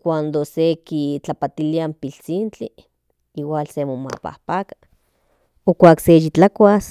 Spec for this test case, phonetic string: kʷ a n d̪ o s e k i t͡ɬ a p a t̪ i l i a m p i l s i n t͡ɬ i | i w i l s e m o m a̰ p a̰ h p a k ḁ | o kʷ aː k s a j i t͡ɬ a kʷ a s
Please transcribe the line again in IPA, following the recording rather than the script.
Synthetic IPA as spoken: kʷ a n d̪ o s e k i t͡ɬ a p a t̪ i l i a m p i l t͡s i n t͡ɬ i | i w a l s e m o m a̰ p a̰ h p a k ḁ | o kʷ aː k s e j i t͡ɬ a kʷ a s